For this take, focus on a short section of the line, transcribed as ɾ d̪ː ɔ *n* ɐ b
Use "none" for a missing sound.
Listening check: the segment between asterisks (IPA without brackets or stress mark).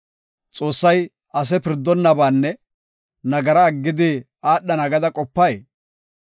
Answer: nː